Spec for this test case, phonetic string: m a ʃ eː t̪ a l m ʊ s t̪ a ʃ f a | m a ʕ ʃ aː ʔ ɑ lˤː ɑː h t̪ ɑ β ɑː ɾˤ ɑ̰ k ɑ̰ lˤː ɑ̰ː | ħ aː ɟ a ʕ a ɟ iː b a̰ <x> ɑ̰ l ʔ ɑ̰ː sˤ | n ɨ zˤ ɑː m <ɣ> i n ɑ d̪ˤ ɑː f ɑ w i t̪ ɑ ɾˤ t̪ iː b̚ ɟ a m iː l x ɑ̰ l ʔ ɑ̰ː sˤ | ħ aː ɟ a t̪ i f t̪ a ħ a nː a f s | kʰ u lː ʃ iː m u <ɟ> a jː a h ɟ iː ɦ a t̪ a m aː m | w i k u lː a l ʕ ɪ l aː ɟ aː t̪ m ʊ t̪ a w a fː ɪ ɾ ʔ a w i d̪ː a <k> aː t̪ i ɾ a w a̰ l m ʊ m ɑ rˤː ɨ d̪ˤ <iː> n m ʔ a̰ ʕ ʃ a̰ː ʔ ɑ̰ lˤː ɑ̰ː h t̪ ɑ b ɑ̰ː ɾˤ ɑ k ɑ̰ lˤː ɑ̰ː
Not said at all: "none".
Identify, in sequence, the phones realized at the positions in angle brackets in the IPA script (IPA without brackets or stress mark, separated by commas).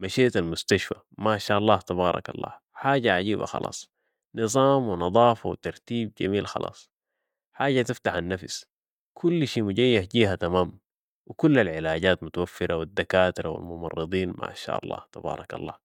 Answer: x, w, ɟ, k, iː